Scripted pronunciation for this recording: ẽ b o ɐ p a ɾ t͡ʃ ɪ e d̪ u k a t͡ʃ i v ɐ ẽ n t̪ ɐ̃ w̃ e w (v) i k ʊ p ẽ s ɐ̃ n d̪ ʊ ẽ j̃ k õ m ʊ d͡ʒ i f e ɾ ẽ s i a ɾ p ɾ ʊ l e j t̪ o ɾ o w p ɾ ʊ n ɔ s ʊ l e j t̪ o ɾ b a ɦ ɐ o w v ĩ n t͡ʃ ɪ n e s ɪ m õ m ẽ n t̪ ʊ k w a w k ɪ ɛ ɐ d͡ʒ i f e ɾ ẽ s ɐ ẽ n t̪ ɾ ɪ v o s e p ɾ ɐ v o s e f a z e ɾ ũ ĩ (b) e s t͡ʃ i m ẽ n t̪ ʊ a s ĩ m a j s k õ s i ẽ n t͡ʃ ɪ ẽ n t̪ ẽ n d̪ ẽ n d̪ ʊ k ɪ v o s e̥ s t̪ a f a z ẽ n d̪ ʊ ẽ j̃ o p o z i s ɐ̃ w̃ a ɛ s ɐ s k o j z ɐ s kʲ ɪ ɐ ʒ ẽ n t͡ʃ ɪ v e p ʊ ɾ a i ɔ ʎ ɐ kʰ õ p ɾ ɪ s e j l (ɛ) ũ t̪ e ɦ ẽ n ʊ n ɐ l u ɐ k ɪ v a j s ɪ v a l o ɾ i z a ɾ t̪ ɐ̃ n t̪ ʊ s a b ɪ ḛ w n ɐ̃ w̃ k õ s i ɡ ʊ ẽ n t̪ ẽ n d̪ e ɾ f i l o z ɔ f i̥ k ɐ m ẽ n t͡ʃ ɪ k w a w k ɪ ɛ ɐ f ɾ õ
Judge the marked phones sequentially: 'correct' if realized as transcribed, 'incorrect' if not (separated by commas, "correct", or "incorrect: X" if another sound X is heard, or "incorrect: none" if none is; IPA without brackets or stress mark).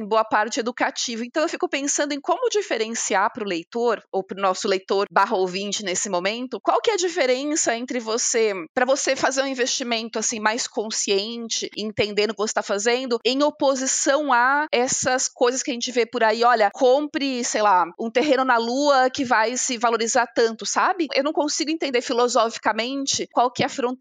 incorrect: f, incorrect: v, incorrect: a